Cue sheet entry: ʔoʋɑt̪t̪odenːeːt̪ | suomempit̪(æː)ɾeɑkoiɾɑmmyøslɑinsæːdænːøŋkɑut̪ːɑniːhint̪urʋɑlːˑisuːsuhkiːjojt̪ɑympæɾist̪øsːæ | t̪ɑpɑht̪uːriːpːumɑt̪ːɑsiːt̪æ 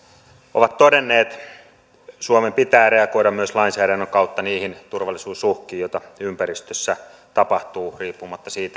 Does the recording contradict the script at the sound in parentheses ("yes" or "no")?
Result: no